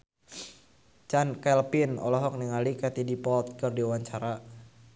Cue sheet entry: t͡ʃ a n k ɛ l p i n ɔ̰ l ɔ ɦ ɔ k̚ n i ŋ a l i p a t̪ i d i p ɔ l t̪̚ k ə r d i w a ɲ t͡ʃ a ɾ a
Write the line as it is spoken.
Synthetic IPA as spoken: t͡ʃ a n k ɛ l p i n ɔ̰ l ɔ ɦ ɔ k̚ n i ŋ a l i k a t̪ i d i p ɔ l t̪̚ k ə r d i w a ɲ t͡ʃ a ɾ a